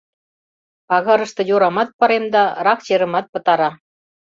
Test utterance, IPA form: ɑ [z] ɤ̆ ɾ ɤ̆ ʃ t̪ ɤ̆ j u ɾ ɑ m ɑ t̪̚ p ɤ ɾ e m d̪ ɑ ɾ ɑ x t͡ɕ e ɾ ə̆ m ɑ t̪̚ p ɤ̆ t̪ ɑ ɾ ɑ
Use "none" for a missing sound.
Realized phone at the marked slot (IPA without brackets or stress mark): ɣ